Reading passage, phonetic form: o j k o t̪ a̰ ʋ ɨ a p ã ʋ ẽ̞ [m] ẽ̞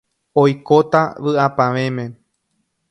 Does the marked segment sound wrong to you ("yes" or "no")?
no